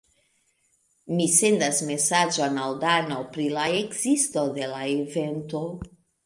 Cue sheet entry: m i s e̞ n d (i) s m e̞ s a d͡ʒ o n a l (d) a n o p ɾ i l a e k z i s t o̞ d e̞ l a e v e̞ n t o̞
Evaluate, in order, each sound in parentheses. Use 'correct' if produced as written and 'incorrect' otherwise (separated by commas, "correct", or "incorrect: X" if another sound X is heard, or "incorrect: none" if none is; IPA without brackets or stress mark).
incorrect: a, correct